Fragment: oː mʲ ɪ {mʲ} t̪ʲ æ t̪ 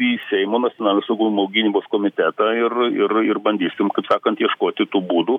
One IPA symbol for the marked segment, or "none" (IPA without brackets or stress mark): none